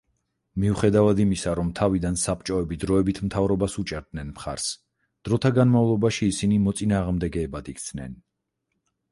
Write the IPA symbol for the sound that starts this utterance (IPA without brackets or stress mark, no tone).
m